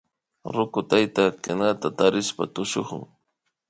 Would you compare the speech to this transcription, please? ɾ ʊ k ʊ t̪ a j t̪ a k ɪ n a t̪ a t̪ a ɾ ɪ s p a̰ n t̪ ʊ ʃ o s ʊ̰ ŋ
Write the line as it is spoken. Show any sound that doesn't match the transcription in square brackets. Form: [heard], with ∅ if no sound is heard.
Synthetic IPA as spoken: ɾ ʊ k ʊ t̪ a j t̪ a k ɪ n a t̪ a t̪ a ɾ ɪ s p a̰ [∅] t̪ ʊ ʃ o [χ] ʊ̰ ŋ